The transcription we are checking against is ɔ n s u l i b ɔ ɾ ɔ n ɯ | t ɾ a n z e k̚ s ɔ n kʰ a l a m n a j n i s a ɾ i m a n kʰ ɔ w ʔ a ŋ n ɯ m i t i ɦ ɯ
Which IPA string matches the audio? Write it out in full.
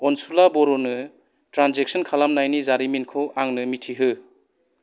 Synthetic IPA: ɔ n s u l a b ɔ ɾ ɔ n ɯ | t ɾ a n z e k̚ s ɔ n kʰ a l a m n a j n i z a ɾ i m i n kʰ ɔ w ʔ a ŋ n ɯ m i tʰ i ɦ ɯ